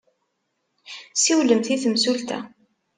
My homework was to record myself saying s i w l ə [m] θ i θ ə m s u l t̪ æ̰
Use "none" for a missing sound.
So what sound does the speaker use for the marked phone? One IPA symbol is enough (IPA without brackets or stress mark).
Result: m